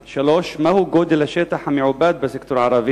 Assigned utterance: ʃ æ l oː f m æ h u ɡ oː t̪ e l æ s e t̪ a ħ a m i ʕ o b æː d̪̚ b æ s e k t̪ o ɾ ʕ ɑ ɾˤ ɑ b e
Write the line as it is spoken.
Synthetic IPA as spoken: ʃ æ l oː ʃ m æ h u ɡ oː d̪ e l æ ʃ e t̪ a ħ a m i ʕ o b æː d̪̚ b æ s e k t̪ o ɾ ʕ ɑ ɾˤ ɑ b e